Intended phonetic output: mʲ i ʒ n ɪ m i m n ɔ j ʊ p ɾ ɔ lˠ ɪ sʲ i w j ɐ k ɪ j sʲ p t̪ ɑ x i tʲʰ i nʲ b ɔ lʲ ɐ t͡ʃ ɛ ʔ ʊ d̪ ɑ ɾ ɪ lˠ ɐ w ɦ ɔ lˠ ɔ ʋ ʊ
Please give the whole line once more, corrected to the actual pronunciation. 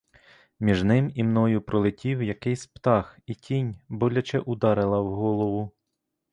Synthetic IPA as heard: mʲ i ʒ n ɪ m i m n ɔ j ʊ p ɾ ɔ lˠ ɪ tʲ i w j ɐ k ɪ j sʲ p t̪ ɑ x i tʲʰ i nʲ b ɔ lʲ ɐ t͡ʃ ɛ ʔ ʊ d̪ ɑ ɾ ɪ lˠ ɐ w ɦ ɔ lˠ ɔ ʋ ʊ